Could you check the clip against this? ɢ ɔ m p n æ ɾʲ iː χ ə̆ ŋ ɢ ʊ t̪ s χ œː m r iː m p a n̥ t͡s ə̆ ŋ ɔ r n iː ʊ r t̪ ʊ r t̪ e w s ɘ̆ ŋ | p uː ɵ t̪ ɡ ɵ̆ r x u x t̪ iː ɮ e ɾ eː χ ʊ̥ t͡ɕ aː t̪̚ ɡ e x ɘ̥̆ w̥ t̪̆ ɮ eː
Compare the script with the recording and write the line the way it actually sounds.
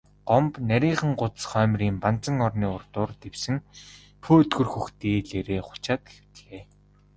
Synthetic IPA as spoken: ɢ ɔ m p n æ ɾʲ iː χ ə̆ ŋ ɢ ʊ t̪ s χ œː m r iː m p a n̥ t͡s ə̆ ŋ ɔ r n iː ʊ r t̪ ʊː r t̪ e w s ɘ̆ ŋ | pʰ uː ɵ t̪ ɡ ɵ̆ r x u x t̪ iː ɮ e ɾ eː χ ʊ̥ t͡ɕ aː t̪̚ ɡ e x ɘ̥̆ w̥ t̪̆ ɮ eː